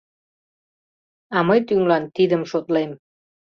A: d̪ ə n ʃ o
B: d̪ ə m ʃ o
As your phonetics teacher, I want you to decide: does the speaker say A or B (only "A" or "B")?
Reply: B